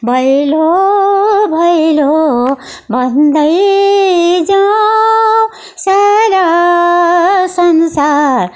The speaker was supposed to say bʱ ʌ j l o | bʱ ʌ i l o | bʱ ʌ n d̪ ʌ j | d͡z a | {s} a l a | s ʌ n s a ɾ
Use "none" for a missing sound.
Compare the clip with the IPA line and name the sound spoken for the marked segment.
s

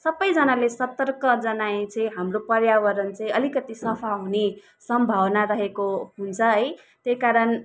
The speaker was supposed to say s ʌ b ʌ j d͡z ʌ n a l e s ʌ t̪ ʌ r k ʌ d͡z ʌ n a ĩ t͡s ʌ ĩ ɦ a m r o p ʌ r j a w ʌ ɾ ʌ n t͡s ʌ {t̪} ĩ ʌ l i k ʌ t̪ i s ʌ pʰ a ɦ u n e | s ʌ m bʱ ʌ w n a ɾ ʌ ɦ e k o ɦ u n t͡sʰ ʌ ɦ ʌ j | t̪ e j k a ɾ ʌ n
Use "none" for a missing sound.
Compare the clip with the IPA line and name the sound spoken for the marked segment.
none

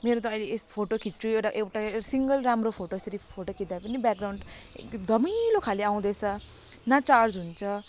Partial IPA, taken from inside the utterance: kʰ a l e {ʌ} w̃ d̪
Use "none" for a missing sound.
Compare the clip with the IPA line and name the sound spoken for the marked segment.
a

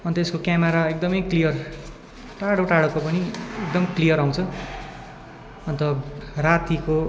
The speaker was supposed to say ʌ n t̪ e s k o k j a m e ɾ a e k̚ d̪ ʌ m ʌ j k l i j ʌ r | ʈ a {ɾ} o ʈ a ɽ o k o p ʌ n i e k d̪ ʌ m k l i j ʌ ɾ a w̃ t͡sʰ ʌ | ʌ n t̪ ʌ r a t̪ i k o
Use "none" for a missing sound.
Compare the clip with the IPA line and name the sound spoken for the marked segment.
ɽ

